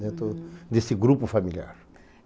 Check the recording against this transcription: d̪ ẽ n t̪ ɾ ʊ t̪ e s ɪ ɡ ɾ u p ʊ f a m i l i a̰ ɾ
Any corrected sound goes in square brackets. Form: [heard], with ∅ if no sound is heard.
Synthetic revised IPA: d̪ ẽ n t̪ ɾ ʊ [d̪] e s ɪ ɡ ɾ u p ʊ f a m i l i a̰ ɾ